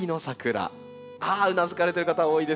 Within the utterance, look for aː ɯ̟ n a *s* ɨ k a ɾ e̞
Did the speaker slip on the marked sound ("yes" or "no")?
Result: yes